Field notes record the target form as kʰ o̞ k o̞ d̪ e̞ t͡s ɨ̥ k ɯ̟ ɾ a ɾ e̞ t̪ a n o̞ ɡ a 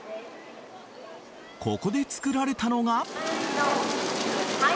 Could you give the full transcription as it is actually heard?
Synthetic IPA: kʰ o̞ k o̞ d̪ e̞ t͡s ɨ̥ k ɯ̟ ɾ a ɾ e̞ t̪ a n o̞ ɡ a